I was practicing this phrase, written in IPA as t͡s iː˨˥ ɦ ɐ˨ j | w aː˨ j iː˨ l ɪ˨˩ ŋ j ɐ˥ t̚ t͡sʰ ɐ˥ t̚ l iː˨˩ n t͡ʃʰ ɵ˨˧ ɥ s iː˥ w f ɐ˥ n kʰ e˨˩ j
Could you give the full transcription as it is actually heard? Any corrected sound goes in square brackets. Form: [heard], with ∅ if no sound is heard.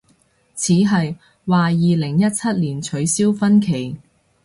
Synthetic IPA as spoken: [t͡sʰ] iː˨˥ ɦ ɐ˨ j | w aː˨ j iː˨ l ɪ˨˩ ŋ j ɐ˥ t̚ t͡sʰ ɐ˥ t̚ l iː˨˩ n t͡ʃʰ ɵ˨˧ ɥ s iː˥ w f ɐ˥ n kʰ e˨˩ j